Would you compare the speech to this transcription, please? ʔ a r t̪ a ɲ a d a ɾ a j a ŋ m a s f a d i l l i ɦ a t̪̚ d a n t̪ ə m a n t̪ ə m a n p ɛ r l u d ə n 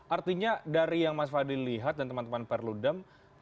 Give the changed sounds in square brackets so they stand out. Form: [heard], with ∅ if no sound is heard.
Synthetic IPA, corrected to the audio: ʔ a r t̪ [i] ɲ a d a ɾ [i] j a ŋ m a s f a d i l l i ɦ a t̪̚ d a n t̪ ə m a n t̪ ə m a n p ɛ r l u d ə [m]